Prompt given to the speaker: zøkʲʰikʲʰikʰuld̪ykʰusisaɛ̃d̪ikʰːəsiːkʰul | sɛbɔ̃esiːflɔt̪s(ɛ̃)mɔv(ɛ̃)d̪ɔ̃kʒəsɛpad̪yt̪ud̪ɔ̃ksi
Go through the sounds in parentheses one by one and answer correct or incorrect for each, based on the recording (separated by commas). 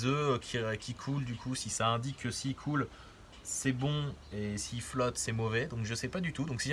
incorrect, incorrect